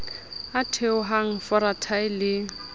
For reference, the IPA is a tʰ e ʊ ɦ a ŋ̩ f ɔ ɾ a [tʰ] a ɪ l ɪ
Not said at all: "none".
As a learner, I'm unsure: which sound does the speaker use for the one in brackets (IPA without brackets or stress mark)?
tʰ